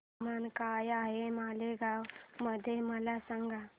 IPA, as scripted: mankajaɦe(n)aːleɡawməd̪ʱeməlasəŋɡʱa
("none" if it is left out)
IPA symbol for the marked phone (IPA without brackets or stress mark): m